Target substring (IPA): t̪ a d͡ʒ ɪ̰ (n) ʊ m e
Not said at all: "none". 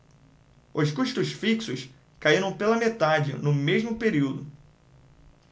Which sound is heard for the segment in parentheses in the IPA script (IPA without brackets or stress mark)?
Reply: n